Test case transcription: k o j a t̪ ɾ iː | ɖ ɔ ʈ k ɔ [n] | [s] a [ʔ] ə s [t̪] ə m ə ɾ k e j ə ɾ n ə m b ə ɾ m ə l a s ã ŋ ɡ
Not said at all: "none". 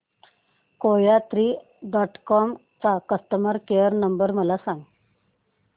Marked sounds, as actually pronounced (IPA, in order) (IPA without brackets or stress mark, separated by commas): m, t͡s, k, t̪